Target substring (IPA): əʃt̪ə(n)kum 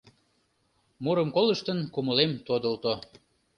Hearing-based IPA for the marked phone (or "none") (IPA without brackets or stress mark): n